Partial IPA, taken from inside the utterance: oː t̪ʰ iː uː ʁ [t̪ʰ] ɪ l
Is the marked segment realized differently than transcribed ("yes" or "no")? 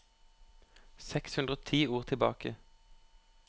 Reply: no